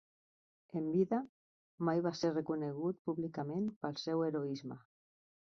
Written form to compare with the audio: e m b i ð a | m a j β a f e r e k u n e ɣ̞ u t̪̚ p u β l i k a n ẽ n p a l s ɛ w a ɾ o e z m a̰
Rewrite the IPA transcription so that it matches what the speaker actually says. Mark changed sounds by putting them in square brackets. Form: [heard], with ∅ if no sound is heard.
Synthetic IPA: e m b i ð a | m a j β a [s] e r e k u n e ɣ̞ u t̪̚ p u β l i k a [m] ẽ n p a l s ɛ w [e] ɾ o [i] z m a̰